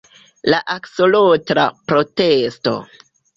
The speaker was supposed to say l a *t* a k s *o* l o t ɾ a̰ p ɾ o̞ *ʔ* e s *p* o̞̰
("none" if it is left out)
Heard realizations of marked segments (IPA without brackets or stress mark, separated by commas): ʔ, o, t, t